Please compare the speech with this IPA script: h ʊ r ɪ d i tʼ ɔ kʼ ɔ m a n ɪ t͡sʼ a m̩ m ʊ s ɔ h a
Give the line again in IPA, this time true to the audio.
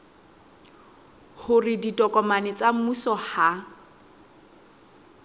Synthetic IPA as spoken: h ʊ r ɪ d i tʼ ɔ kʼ ɔ m a n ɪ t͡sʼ a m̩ m u s ɔ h a

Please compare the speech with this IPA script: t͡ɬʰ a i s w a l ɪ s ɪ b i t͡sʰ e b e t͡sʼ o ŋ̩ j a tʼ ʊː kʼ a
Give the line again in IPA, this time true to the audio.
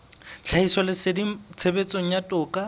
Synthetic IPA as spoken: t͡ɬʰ a i s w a l ɪ s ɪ d i t͡sʰ e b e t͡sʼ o ŋ̩ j a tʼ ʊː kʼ a

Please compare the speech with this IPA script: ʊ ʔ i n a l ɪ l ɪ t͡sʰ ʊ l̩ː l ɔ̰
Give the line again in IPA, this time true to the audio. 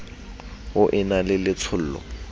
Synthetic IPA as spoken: ʊ ʔ ɪ n a l ɪ l ɪ t͡sʰ ʊ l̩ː l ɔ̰

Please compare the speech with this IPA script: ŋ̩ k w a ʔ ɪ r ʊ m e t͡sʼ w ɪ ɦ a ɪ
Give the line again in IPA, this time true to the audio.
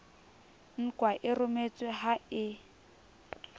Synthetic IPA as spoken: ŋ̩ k w a ʔ ɪ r ʊ m e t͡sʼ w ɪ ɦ a ɪ

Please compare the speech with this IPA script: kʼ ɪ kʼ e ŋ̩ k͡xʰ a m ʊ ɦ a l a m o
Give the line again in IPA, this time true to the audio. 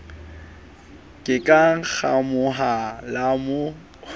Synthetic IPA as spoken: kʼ ɪ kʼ a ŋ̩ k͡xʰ a m ʊ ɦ a l a m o

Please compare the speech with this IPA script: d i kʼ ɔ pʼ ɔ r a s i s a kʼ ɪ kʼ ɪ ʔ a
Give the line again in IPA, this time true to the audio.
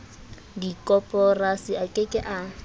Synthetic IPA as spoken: d i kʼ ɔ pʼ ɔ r a s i a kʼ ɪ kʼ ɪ ʔ a

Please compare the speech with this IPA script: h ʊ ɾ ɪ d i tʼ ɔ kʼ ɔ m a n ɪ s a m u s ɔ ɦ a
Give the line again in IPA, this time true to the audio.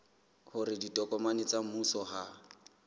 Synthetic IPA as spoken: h ʊ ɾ ɪ d i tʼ ɔ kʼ ɔ m a n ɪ t͡s a m u s ɔ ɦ a

